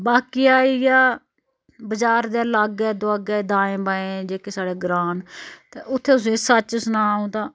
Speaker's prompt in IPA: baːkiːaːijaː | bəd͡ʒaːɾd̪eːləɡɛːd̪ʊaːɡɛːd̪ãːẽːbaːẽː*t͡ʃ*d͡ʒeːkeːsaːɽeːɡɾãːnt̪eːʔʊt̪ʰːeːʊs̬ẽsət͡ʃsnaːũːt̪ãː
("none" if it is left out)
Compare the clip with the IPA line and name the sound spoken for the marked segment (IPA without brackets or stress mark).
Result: none